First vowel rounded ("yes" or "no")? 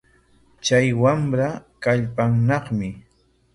no